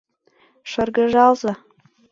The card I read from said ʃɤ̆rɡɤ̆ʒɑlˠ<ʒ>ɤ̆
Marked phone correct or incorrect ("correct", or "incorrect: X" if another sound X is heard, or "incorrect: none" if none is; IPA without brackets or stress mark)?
incorrect: z